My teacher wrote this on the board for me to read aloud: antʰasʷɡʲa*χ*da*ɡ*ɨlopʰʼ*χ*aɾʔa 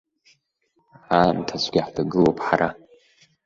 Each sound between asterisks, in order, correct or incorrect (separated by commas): incorrect, correct, incorrect